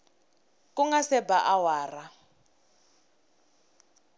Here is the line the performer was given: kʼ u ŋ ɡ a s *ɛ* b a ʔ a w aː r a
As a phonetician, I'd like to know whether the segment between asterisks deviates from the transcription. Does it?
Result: no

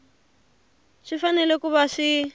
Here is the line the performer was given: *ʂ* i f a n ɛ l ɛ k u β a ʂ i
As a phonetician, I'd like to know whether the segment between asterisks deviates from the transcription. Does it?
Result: no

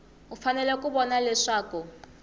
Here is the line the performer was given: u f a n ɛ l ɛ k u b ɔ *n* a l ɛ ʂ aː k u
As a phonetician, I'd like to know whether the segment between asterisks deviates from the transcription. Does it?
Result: no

